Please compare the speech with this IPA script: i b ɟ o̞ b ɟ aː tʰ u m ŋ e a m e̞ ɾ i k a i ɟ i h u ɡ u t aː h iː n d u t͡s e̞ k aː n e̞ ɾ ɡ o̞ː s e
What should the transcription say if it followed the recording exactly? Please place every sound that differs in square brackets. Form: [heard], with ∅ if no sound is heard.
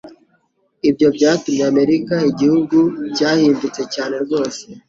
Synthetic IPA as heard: i b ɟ o̞ b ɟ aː [t] u m [ɲ] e a m e̞ ɾ i k a i ɟ i h u ɡ u [c] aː h iː n d u t͡s e̞ [c] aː n e̞ ɾ ɡ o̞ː s e